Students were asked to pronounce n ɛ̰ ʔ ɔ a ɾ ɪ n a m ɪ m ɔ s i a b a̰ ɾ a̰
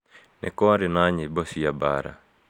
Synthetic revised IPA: n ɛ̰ k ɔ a ɾ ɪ n a ɲ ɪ b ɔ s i a b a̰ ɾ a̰